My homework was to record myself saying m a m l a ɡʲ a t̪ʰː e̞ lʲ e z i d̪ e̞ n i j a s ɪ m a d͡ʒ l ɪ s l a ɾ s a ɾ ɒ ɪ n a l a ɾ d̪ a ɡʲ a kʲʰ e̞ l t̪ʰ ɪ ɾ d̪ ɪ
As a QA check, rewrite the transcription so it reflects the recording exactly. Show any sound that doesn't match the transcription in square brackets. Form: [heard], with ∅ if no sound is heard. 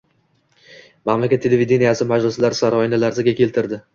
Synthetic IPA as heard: m a m l a [kʲ] a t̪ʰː e̞ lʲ e [v] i d̪ e̞ n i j a s ɪ m a d͡ʒ l ɪ s l a ɾ s a ɾ ɒ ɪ n a l a ɾ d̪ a ɡʲ a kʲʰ e̞ l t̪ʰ ɪ ɾ d̪ ɪ